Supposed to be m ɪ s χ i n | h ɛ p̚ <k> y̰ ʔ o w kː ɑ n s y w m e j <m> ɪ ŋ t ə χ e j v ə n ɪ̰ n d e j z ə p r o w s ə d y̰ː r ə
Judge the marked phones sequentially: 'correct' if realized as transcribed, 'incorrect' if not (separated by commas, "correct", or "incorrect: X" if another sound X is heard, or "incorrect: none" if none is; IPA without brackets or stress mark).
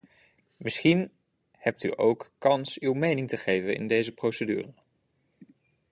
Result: incorrect: t, incorrect: n